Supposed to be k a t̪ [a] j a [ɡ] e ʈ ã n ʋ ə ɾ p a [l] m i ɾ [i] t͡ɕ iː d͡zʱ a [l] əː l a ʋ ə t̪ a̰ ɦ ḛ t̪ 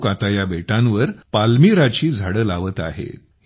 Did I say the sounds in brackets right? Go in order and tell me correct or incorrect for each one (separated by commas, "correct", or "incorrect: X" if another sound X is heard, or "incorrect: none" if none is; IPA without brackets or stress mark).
correct, incorrect: b, correct, incorrect: a, incorrect: ɽ